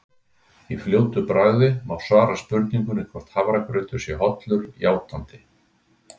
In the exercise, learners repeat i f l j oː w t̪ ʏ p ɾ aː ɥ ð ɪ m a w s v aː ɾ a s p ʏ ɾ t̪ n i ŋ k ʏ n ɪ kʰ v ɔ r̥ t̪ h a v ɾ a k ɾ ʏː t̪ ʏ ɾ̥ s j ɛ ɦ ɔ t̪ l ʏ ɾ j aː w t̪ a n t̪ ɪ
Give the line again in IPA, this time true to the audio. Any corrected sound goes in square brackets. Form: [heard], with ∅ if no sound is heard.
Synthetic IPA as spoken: i f l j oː w t̪ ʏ p ɾ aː ɥ ð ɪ m a w s v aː ɾ a s p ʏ ɾ t̪ n i ŋ k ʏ n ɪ kʰ v ɔ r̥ t̪ h a v ɾ a k ɾ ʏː t̪ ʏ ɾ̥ s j ɛ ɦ ɔ t̪ l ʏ ɾ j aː w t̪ a n t̪ ɪ

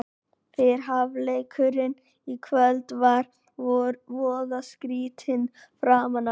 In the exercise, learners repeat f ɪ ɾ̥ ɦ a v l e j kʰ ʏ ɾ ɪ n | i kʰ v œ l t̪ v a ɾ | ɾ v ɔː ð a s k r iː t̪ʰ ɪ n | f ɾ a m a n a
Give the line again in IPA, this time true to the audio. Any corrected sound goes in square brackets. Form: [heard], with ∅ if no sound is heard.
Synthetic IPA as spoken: f ɪ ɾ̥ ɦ a v l e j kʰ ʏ ɾ ɪ n | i kʰ v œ l t̪ v a ɾ | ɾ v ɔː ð a s k [ɾ] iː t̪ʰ ɪ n | f ɾ a m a n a

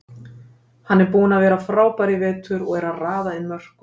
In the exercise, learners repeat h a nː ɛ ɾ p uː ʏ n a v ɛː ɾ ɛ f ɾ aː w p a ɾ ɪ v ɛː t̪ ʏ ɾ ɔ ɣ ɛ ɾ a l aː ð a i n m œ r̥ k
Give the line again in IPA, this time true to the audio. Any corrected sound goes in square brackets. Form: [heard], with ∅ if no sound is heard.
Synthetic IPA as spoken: h a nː ɛ ɾ p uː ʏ n a v ɛː ɾ [a] f ɾ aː w p a ɾ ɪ v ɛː t̪ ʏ ɾ ɔ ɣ ɛ ɾ a [r] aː ð a [ɪ] n m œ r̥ k

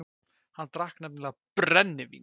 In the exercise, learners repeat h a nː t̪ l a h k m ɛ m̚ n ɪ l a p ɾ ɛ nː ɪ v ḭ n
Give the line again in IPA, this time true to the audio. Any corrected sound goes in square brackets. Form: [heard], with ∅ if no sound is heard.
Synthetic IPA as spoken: h a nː t̪ [ɾ] a h k [n] ɛ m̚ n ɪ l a p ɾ ɛ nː ɪ v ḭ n

